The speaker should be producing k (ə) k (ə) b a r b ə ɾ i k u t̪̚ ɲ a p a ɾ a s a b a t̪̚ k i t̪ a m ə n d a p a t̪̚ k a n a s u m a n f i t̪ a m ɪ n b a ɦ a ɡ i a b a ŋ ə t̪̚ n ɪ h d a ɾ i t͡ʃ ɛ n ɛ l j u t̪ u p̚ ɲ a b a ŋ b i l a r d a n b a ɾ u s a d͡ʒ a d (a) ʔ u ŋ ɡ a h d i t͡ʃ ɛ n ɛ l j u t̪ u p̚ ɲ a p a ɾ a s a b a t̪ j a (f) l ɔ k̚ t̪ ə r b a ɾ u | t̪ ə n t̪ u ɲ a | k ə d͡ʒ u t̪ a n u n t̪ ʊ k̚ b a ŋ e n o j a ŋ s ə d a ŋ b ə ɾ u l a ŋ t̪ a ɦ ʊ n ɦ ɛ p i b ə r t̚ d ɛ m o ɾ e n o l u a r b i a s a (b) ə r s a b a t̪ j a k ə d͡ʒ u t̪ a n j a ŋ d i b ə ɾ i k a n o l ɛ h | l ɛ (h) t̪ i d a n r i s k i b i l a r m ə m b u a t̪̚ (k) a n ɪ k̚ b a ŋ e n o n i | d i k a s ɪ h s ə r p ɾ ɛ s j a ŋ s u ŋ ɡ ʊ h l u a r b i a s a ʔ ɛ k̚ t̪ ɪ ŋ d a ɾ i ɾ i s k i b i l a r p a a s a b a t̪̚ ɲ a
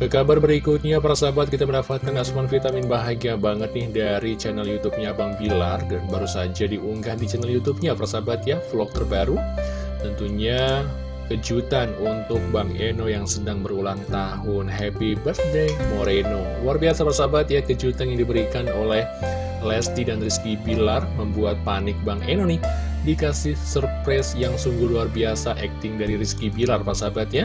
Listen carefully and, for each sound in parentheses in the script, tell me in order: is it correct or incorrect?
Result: correct, incorrect, incorrect, correct, incorrect, incorrect, incorrect

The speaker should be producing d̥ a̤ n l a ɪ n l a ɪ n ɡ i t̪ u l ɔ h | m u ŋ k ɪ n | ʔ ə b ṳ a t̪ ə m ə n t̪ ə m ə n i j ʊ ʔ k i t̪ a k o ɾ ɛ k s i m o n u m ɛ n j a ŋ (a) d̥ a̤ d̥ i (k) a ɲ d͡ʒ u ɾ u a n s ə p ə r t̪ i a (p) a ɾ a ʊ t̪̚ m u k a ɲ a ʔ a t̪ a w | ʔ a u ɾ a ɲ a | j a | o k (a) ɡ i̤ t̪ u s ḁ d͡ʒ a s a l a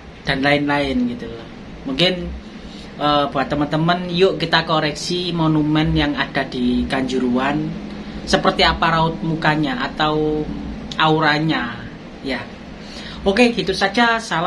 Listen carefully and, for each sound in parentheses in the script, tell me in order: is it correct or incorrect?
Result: correct, correct, correct, incorrect

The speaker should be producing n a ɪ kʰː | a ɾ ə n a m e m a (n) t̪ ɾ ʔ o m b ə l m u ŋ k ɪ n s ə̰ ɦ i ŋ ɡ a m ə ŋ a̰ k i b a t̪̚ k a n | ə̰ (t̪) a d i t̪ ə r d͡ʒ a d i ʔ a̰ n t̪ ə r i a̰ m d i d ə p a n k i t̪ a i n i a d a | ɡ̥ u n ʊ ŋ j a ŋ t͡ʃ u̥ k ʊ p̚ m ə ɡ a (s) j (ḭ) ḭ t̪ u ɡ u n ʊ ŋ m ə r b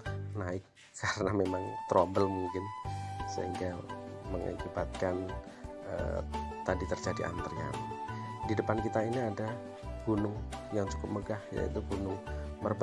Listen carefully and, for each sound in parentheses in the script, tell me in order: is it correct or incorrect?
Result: incorrect, correct, incorrect, incorrect

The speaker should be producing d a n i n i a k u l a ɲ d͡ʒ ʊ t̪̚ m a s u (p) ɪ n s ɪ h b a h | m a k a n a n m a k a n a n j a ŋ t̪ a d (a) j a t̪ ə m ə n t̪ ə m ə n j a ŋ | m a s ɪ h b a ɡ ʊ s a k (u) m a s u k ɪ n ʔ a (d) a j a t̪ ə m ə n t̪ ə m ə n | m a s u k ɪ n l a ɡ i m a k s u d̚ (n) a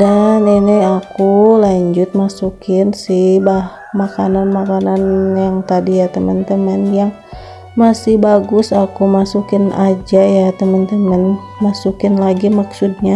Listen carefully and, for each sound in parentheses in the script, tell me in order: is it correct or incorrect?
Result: incorrect, incorrect, correct, incorrect, incorrect

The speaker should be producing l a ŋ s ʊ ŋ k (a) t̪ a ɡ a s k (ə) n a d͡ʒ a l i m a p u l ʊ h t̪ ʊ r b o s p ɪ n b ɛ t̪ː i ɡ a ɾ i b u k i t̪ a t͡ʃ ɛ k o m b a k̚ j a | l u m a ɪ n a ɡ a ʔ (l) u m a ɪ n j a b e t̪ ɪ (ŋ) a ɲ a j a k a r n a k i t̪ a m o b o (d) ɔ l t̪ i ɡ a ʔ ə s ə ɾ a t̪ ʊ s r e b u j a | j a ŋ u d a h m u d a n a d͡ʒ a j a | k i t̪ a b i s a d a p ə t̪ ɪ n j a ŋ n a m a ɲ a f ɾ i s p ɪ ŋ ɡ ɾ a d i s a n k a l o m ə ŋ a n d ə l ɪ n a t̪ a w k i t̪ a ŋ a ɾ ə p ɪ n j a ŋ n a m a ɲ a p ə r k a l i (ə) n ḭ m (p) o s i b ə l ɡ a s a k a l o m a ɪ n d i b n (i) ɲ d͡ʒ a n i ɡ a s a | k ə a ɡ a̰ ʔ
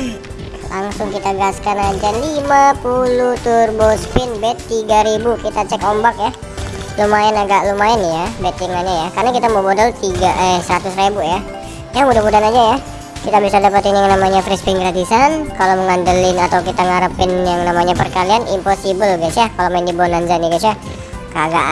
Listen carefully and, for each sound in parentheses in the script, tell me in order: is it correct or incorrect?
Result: incorrect, incorrect, correct, correct, correct, incorrect, correct, incorrect

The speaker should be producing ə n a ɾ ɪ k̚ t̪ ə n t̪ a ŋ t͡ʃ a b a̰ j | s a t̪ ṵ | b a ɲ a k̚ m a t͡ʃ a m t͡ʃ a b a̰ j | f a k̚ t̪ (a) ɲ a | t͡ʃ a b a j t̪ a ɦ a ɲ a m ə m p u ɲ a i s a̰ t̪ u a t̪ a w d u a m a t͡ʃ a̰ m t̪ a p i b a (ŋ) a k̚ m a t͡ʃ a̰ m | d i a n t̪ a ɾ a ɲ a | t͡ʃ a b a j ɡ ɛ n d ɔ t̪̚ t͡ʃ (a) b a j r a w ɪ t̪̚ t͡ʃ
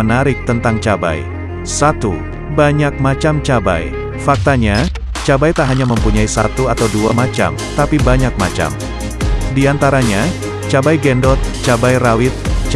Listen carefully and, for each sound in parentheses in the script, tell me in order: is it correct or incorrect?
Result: correct, incorrect, correct

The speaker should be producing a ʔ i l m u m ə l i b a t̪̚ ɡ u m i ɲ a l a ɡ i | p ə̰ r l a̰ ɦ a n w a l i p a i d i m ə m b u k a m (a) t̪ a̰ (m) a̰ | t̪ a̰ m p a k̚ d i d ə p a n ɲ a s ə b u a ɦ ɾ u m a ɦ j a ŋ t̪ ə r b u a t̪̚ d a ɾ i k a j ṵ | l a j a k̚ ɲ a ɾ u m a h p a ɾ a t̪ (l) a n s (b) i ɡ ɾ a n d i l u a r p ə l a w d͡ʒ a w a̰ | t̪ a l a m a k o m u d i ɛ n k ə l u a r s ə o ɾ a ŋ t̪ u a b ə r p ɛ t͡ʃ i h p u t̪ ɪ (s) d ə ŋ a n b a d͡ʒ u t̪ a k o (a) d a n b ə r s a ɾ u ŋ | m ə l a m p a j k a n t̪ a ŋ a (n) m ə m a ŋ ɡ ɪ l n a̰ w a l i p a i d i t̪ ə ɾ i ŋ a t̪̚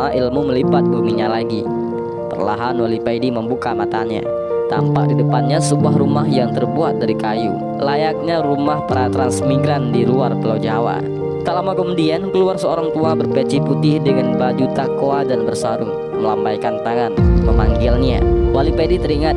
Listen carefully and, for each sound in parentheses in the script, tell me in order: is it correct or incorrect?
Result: correct, incorrect, incorrect, incorrect, incorrect, correct, correct

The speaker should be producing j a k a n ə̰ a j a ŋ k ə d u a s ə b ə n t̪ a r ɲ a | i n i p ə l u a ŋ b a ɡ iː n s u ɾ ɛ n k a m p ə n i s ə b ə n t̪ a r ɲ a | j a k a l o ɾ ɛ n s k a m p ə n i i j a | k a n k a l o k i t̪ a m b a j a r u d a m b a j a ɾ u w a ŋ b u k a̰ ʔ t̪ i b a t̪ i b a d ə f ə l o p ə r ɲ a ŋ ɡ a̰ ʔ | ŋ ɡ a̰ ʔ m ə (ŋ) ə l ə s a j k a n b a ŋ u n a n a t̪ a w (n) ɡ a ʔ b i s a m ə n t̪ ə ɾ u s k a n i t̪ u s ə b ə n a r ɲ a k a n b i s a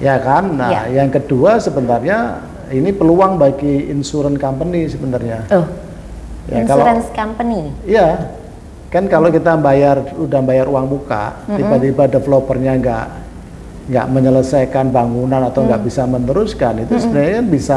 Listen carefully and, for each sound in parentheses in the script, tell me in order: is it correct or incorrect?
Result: incorrect, incorrect

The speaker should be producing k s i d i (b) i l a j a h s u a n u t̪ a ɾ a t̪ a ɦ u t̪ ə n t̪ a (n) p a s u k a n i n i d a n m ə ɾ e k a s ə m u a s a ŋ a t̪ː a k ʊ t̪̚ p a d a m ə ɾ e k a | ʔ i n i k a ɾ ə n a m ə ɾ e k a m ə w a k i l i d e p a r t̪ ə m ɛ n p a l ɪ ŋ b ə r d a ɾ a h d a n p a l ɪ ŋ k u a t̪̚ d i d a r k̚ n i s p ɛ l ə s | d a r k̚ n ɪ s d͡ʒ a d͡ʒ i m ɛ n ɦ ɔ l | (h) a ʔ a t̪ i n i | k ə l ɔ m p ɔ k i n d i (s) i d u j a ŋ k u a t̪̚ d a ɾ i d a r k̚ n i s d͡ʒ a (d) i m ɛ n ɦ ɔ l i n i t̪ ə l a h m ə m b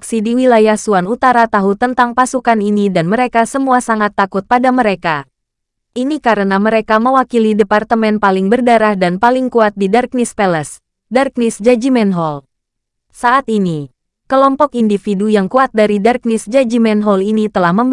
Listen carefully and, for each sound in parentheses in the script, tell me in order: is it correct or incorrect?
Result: incorrect, incorrect, incorrect, incorrect, incorrect

